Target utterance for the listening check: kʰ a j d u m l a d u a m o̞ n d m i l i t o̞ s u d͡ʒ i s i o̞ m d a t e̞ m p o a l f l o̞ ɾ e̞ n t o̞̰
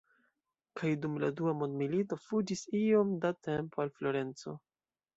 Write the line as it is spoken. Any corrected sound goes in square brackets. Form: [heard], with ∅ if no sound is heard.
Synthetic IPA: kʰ a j d u m l a d u a m o̞ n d m i l i t o̞ [f] u d͡ʒ i s i o̞ m d a t e̞ m p o a l f l o̞ ɾ e̞ n [t͡s] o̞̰